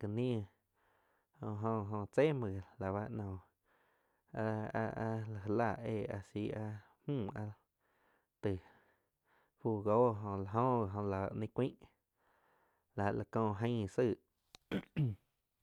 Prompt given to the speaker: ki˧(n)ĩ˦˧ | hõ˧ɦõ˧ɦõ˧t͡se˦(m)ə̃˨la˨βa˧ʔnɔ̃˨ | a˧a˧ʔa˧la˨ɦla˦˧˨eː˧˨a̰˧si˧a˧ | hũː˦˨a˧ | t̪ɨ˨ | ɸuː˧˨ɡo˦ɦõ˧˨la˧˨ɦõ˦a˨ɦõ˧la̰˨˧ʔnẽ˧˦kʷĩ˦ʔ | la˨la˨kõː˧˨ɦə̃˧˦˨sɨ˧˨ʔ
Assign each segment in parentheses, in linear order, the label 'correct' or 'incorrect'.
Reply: correct, correct

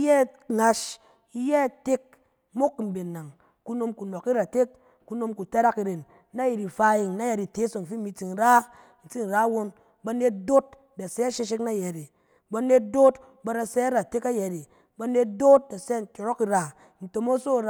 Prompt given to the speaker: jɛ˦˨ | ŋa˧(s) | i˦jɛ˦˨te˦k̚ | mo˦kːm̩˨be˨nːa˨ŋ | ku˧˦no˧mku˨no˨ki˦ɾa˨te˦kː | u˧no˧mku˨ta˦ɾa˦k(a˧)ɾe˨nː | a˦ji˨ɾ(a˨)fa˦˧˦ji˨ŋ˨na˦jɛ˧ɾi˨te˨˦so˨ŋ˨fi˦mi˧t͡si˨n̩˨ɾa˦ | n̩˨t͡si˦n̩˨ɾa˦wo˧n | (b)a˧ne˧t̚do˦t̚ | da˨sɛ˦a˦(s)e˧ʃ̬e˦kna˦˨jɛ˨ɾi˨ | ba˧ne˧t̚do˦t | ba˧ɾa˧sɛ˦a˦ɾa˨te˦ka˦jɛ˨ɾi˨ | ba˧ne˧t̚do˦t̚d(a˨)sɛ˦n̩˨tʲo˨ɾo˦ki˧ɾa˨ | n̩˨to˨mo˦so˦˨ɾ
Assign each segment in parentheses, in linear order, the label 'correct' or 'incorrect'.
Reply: incorrect, incorrect, incorrect, correct, incorrect, correct

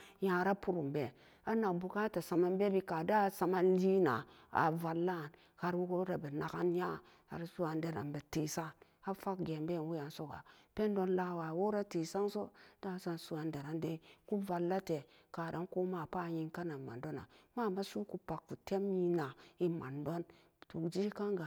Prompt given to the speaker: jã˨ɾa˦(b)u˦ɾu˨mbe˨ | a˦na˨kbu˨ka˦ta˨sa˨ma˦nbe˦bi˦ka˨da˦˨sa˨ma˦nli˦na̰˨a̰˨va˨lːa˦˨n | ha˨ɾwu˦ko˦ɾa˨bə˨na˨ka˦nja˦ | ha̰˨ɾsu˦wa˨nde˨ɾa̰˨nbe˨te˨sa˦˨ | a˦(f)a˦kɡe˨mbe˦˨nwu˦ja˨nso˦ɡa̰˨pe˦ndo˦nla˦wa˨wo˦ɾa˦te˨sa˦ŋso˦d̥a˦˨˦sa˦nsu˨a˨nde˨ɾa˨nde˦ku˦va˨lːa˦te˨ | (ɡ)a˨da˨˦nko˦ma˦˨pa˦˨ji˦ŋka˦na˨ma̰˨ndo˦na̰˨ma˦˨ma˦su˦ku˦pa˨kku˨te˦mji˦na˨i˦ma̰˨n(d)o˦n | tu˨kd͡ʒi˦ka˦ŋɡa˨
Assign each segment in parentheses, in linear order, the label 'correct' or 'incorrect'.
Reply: incorrect, correct, incorrect, correct

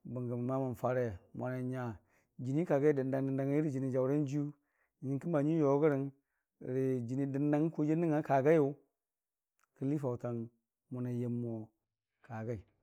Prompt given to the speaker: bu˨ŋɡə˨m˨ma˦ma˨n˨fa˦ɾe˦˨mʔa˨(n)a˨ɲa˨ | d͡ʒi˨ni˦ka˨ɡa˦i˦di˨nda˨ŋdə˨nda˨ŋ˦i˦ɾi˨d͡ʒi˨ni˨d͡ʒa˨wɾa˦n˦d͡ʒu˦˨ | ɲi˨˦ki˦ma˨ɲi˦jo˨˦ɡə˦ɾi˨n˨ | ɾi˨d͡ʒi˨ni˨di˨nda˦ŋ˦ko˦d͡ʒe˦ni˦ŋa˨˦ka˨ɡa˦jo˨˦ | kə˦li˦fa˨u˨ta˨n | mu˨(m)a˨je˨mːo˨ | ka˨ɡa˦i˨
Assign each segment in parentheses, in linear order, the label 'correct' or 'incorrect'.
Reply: correct, incorrect

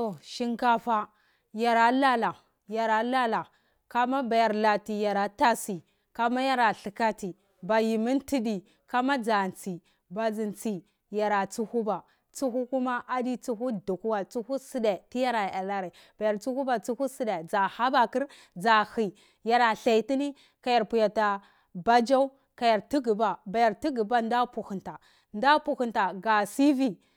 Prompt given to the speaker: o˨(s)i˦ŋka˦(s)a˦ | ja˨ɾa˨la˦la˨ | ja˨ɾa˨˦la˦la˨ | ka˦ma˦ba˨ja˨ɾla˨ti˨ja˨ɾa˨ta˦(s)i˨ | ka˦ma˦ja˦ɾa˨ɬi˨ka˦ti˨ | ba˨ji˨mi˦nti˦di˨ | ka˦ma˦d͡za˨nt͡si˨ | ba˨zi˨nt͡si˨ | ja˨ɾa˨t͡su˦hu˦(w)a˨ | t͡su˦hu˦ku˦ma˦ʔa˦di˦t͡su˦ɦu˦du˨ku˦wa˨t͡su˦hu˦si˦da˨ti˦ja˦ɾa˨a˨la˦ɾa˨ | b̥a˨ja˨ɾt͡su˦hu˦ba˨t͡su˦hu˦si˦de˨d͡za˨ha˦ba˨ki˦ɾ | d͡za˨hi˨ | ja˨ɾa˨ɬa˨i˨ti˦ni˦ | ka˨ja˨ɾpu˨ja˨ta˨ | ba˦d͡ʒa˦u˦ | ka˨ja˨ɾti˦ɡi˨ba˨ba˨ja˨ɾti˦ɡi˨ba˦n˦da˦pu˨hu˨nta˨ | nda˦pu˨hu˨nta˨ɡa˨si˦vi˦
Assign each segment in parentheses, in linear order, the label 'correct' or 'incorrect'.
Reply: incorrect, incorrect, correct, incorrect

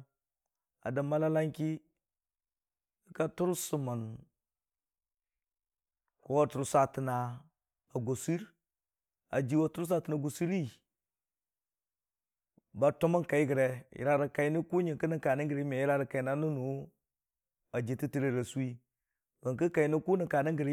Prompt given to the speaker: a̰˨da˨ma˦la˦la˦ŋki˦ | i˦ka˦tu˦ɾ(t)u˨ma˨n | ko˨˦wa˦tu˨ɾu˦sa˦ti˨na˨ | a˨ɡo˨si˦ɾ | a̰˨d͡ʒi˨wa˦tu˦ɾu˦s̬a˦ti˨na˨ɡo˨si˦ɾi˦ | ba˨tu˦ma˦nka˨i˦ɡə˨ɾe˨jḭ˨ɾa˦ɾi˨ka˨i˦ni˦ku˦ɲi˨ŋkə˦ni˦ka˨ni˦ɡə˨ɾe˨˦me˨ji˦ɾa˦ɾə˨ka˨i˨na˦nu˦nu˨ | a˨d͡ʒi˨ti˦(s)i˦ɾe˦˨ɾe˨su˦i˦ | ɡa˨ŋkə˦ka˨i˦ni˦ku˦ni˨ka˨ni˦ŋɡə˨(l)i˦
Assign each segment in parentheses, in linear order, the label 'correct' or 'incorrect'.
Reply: incorrect, incorrect, incorrect

